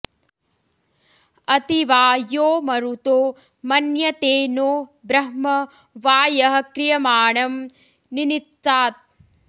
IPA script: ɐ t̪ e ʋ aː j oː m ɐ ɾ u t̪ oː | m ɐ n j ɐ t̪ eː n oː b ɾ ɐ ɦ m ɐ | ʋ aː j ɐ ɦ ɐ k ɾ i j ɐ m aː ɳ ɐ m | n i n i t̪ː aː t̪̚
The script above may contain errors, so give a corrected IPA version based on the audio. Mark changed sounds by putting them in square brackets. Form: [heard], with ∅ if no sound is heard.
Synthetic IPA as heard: ɐ t̪ [i] ʋ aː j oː m ɐ ɾ u t̪ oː | m ɐ n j ɐ t̪ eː n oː b ɾ ɐ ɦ m ɐ | ʋ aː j ɐ ɦ ɐ k ɾ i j ɐ m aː ɳ ɐ m | n i n i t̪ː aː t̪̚

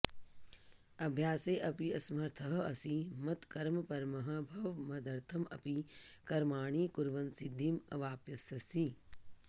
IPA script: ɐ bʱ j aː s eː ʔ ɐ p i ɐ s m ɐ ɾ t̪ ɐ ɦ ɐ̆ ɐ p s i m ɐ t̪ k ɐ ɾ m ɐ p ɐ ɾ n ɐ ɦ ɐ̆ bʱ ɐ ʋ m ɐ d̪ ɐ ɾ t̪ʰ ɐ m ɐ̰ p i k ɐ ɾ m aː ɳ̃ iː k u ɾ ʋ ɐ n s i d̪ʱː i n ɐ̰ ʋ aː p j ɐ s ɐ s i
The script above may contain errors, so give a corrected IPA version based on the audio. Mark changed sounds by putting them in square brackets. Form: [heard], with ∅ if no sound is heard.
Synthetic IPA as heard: ɐ bʱ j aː s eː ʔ ɐ p i ɐ s m ɐ ɾ [t̪ʰ] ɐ ɦ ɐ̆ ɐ [∅] s i m ɐ t̪ k ɐ ɾ m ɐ p ɐ ɾ [m] ɐ ɦ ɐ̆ bʱ ɐ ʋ m ɐ d̪ ɐ ɾ t̪ʰ ɐ m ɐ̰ p i k ɐ ɾ m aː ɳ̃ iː k u ɾ ʋ ɐ n s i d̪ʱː i [m] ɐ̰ ʋ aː p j ɐ s ɐ s i

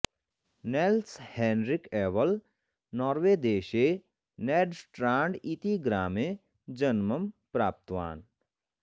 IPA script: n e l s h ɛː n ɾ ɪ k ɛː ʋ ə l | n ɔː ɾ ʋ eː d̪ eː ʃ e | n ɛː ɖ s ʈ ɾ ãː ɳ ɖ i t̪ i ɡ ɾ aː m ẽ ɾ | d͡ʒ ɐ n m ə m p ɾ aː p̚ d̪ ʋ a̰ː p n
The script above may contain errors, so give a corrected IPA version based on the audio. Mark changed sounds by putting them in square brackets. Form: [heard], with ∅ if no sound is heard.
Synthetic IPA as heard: n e l s h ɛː n ɾ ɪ k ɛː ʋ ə l | n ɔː ɾ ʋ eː d̪ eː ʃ e | n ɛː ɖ s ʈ ɾ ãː ɳ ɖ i t̪ i ɡ ɾ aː m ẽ [∅] | d͡ʒ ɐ n m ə m p ɾ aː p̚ [t̪] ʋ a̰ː [∅] n

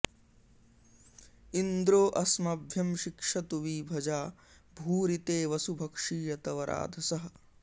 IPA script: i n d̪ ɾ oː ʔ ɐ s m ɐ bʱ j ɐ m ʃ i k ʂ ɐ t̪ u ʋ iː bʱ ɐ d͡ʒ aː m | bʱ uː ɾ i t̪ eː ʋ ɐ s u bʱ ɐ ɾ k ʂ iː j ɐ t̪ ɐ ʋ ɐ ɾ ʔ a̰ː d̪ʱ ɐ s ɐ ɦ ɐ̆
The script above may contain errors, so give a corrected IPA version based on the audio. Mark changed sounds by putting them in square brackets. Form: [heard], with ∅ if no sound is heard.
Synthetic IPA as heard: i n d̪ ɾ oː ʔ ɐ s m ɐ bʱ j ɐ m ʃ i k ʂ ɐ t̪ u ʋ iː bʱ ɐ d͡ʒ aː [∅] | bʱ uː ɾ i t̪ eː ʋ ɐ s u bʱ ɐ [∅] k ʂ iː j ɐ t̪ ɐ ʋ ɐ ɾ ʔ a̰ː d̪ʱ ɐ s ɐ ɦ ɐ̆

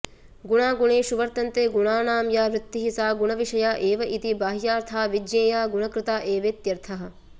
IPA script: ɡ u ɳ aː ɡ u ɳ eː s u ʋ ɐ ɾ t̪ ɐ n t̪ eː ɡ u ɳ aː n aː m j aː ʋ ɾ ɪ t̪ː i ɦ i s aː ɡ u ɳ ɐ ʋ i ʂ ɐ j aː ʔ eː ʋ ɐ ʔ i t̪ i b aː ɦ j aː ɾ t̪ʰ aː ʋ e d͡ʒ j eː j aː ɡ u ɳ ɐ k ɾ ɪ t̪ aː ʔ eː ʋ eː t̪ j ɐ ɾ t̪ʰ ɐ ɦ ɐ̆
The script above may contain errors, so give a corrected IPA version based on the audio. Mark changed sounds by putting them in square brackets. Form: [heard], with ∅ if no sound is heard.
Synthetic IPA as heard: ɡ u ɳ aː ɡ u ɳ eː [ʃ] u ʋ ɐ ɾ t̪ ɐ n t̪ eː ɡ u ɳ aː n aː m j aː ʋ ɾ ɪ t̪ː i ɦ i s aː ɡ u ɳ ɐ ʋ i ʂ ɐ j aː ʔ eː ʋ ɐ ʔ i t̪ i b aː ɦ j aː ɾ t̪ʰ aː ʋ [i] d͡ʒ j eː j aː ɡ u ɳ ɐ k ɾ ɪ t̪ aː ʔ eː ʋ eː t̪ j ɐ ɾ t̪ʰ ɐ ɦ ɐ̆

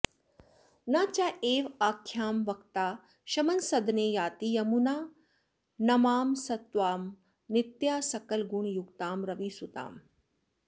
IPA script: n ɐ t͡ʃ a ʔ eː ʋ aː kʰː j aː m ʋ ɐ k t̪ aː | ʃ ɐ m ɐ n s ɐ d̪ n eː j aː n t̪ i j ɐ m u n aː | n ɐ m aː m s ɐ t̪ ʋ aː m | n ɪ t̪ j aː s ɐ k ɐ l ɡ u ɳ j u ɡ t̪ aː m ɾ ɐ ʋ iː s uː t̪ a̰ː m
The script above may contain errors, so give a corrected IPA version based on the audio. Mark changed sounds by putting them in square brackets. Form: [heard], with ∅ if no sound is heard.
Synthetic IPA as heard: n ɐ t͡ʃ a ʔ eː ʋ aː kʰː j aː m ʋ ɐ k t̪ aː | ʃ ɐ m ɐ n s ɐ d̪ n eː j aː [∅] t̪ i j ɐ m u n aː | n ɐ m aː m s ɐ t̪ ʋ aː m | n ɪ t̪ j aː s ɐ k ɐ l ɡ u ɳ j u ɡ t̪ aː m ɾ ɐ ʋ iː s [u] t̪ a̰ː m

